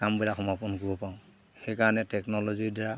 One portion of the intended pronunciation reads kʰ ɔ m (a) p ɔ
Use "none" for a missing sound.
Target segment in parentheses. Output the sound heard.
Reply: a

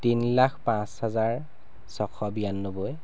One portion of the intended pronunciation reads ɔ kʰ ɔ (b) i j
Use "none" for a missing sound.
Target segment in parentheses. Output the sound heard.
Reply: b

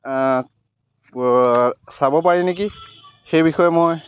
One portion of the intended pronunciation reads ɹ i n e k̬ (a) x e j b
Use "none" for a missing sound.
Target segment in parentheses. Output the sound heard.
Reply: i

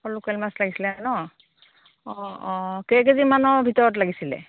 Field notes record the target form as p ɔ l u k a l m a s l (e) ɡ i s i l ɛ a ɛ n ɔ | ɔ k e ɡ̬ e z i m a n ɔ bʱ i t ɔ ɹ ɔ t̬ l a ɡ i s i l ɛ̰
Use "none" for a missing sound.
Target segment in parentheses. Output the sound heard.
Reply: a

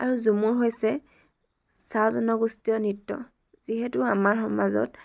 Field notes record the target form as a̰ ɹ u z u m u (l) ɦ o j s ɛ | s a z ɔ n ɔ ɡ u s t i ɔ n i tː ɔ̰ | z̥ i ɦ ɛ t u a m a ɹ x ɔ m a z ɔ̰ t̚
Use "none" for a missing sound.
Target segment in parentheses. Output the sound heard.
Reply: ɹ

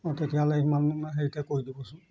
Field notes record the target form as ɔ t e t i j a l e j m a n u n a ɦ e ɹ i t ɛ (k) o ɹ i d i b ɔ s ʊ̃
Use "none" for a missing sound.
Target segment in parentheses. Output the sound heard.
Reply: k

